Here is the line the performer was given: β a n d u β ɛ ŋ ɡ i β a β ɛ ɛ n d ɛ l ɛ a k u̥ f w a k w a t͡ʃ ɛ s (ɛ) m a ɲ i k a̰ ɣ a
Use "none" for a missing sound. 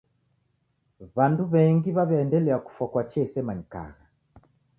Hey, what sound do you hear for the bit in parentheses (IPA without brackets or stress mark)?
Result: ɛ